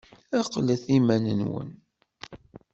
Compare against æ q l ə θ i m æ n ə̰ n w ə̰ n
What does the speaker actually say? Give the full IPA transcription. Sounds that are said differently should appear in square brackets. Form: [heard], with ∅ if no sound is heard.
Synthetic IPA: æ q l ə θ i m æ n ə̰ n w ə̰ n